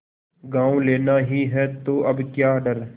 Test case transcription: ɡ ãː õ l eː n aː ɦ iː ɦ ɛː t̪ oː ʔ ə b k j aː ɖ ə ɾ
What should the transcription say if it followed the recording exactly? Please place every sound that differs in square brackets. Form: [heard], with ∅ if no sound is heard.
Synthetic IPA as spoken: ɡ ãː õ l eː n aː ɦ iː ɦ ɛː t̪ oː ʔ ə b k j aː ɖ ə ɾ